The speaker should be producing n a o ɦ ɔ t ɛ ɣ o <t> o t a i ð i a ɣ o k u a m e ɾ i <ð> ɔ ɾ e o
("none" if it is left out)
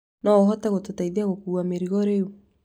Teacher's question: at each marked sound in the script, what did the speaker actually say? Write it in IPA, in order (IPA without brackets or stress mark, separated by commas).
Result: t, ɣ